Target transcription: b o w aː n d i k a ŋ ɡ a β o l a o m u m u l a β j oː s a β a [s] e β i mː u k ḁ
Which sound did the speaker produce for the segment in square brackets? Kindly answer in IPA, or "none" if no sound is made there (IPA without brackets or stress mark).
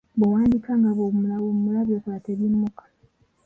t